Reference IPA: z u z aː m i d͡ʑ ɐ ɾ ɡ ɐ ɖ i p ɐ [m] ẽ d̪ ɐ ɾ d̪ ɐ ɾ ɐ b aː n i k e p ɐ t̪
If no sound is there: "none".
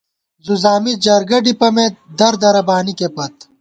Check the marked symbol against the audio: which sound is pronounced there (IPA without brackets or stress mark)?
m